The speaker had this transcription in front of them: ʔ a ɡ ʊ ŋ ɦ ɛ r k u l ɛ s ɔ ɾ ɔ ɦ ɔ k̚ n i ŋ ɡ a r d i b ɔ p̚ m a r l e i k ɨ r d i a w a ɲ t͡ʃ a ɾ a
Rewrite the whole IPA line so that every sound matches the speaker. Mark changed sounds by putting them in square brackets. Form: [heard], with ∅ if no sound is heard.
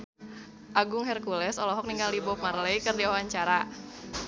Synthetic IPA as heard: ʔ a ɡ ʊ ŋ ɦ ɛ r k u l ɛ s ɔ [l] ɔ ɦ ɔ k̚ n i ŋ ɡ a [l] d i b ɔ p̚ m a r l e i k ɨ r d i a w a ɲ t͡ʃ a ɾ a